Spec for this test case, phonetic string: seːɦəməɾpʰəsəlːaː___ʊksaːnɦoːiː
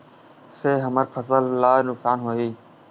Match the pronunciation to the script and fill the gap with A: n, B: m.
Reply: A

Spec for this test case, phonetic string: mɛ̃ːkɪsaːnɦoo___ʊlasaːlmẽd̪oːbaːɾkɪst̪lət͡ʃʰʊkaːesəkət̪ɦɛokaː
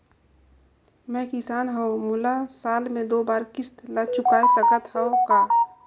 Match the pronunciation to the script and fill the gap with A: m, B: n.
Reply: A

